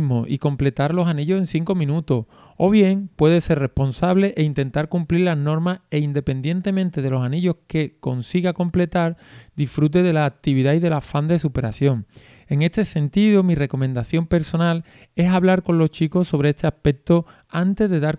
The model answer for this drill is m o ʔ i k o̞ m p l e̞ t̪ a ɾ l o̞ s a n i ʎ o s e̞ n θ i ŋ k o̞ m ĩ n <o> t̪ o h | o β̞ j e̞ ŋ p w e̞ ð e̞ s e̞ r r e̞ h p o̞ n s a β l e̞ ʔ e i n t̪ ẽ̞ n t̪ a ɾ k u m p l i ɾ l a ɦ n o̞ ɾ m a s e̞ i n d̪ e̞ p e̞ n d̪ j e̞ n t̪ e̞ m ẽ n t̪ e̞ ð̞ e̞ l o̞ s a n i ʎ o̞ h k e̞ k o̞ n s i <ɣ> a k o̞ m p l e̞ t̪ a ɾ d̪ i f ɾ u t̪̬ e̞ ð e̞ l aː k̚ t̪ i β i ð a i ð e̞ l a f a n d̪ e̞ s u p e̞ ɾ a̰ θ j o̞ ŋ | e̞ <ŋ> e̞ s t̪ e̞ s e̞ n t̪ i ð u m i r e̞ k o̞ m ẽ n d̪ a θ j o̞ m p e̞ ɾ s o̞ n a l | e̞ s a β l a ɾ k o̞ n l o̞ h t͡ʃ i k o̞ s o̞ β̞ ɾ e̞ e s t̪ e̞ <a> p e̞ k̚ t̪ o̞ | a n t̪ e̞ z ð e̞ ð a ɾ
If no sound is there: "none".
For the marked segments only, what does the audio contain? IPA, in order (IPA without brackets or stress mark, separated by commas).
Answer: u, ɣ, ŋ, a